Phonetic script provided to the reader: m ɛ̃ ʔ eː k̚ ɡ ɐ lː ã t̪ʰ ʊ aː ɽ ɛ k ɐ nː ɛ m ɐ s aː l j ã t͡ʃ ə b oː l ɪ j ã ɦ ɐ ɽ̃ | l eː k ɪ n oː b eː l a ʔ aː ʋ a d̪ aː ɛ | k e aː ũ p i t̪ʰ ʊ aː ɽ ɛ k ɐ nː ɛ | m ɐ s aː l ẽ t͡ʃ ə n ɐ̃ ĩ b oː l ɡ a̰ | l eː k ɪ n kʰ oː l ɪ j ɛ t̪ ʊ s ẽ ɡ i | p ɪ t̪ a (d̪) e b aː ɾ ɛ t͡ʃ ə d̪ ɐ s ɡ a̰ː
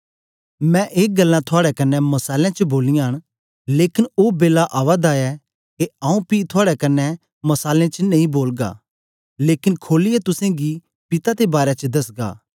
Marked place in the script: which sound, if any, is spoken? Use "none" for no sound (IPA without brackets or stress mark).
t̪